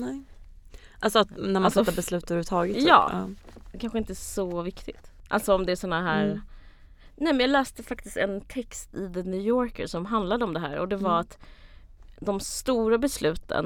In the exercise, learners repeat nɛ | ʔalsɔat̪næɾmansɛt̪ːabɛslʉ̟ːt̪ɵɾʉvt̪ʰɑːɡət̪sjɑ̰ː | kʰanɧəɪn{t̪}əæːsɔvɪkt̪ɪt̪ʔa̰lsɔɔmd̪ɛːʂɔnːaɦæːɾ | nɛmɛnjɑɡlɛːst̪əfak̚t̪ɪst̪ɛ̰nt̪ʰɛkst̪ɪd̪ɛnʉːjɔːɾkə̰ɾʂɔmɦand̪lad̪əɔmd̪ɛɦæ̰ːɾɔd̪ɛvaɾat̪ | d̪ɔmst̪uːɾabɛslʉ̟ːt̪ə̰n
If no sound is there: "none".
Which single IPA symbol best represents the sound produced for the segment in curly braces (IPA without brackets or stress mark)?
t̪